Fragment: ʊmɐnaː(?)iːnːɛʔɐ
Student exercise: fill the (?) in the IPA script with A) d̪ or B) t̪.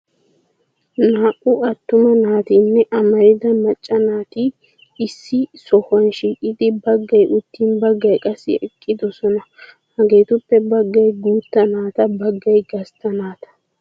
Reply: B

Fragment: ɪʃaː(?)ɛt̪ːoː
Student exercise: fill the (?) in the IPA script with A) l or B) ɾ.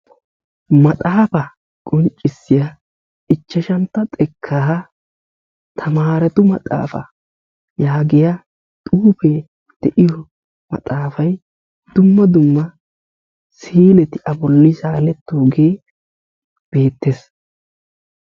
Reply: A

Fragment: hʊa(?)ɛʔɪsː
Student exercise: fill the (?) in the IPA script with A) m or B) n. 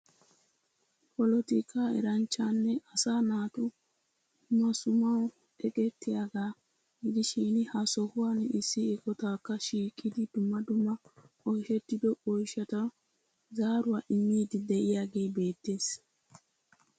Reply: B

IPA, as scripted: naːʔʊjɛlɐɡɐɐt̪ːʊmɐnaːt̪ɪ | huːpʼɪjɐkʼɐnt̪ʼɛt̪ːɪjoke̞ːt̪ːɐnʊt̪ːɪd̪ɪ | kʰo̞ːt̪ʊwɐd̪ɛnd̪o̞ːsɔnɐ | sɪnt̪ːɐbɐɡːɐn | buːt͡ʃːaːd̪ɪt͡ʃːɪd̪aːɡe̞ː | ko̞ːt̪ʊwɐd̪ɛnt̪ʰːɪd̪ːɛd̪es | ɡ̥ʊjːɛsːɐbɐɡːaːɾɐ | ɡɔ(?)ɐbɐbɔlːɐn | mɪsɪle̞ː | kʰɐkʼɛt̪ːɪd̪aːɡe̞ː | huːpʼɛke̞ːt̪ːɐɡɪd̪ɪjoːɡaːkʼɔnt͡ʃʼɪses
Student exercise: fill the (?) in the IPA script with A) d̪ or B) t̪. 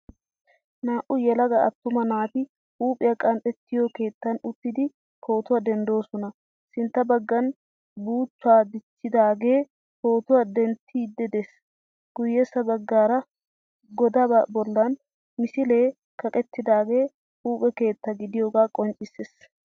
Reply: A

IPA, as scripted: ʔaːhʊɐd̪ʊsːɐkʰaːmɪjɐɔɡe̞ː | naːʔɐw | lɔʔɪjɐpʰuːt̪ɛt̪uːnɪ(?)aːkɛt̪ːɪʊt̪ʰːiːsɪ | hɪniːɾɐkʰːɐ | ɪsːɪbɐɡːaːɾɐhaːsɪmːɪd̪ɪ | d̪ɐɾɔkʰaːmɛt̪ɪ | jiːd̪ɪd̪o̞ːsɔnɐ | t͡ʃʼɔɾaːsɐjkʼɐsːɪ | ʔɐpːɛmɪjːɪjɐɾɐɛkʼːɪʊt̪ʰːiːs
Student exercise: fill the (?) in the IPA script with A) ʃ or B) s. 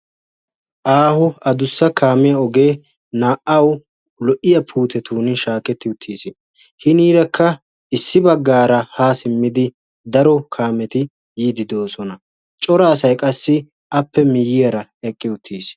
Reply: A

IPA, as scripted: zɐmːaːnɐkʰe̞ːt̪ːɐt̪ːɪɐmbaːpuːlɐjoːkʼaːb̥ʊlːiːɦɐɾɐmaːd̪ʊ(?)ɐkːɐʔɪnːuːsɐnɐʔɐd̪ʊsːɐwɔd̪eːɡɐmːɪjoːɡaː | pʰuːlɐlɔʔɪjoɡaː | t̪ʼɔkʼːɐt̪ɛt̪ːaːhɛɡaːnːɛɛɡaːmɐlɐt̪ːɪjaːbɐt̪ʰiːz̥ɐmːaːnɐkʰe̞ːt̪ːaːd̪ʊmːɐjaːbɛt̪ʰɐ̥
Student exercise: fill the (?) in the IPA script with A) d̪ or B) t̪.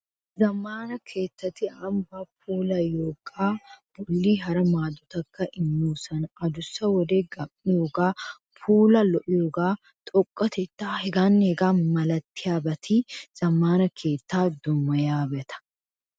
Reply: B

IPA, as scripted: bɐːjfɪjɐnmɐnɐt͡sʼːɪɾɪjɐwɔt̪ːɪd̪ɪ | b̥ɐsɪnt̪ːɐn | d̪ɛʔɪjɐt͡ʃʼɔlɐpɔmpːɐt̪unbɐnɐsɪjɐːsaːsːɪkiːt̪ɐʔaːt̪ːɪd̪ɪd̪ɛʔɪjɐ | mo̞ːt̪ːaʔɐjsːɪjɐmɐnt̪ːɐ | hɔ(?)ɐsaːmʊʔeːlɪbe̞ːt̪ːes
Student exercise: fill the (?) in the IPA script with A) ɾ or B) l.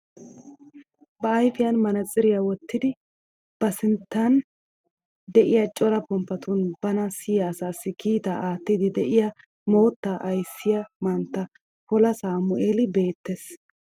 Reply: B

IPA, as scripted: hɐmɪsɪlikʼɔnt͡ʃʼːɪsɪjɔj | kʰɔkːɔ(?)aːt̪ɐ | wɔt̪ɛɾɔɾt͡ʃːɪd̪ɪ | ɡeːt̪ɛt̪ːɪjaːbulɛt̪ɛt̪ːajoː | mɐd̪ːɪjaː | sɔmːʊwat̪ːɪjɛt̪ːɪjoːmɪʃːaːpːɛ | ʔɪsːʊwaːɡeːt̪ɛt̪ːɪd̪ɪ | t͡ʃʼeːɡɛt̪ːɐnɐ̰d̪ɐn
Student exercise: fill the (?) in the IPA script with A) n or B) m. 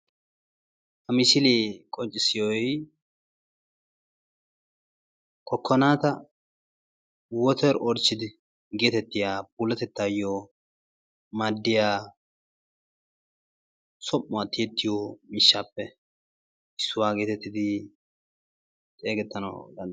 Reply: A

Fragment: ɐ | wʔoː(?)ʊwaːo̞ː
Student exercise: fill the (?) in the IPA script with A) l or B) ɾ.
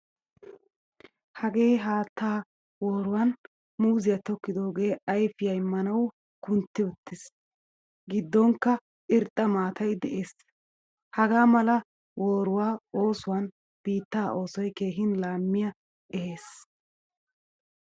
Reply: B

